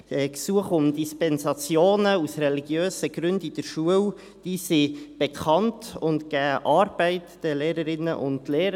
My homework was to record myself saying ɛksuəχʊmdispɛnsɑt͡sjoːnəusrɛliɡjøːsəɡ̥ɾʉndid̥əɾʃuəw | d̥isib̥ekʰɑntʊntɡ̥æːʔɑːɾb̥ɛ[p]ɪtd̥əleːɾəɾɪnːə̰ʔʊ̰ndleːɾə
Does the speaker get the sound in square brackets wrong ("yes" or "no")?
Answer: yes